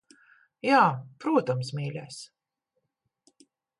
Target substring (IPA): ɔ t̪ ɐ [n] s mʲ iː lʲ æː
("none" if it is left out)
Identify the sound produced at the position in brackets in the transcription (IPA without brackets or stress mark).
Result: m